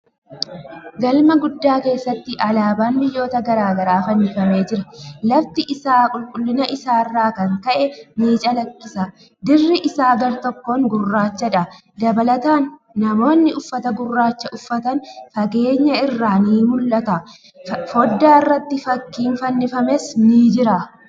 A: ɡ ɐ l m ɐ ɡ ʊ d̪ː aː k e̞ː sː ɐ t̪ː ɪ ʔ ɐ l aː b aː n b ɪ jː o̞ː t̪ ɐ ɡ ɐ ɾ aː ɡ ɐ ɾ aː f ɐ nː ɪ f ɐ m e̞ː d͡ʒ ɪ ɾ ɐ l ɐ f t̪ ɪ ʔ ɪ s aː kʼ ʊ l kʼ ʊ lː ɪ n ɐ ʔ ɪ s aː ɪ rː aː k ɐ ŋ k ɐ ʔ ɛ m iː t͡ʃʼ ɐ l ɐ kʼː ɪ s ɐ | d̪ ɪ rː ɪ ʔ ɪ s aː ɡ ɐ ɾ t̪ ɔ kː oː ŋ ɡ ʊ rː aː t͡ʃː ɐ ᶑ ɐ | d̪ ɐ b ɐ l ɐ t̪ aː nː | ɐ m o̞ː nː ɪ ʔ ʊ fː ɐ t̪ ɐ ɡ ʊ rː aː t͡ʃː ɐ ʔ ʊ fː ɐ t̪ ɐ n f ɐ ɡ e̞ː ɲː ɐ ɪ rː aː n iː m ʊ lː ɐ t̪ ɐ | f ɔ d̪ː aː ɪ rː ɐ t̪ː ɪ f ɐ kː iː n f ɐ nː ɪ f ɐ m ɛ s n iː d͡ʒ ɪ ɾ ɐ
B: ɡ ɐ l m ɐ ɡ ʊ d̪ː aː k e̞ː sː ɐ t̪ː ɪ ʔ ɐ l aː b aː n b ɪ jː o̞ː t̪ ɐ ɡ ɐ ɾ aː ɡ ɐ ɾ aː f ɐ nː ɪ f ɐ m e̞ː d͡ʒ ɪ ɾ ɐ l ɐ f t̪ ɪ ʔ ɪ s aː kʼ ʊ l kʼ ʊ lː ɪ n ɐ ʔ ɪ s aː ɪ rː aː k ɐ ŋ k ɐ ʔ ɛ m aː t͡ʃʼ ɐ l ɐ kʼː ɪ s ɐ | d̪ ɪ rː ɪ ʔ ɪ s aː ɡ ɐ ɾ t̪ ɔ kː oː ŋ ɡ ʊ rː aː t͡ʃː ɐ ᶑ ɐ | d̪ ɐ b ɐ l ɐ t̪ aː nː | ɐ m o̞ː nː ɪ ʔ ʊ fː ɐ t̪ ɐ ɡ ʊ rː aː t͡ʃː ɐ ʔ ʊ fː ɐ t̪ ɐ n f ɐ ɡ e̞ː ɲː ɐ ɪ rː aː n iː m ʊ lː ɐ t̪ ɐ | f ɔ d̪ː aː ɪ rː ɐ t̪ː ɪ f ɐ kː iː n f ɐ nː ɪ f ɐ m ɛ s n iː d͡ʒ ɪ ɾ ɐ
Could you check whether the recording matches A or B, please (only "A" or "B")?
A